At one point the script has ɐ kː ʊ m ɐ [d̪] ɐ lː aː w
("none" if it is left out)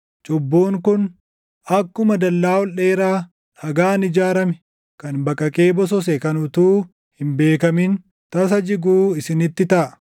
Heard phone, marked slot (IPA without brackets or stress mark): d̪